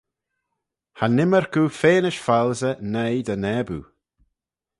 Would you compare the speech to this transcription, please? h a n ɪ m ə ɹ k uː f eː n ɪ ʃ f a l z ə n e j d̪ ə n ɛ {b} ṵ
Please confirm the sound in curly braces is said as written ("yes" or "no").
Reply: yes